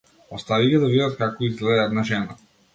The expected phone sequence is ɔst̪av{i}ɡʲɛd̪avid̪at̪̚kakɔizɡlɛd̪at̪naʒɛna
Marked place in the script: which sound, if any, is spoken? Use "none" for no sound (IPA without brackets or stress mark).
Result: i